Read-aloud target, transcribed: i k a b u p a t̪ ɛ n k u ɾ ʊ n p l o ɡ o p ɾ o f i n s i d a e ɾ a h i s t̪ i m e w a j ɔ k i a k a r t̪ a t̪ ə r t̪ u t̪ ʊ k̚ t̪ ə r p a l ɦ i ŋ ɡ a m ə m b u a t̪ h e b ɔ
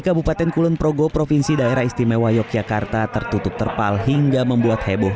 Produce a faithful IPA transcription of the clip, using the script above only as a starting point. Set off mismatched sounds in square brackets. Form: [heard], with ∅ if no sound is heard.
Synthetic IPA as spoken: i k a b u p a t̪ ɛ n k u [l] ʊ n p [ɾ] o ɡ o p ɾ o f i n s i d a e ɾ a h i s t̪ i m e w a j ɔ k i a k a r t̪ a t̪ ə r t̪ u t̪ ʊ [p̚] t̪ ə r p a l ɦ i ŋ ɡ a m ə m b u a t̪ h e b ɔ